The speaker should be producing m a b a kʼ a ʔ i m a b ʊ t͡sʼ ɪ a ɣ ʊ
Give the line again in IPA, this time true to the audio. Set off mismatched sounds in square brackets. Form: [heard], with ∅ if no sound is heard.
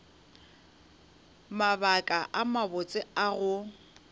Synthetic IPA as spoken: m a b a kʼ a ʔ [a] m a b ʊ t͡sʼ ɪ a ɣ ʊ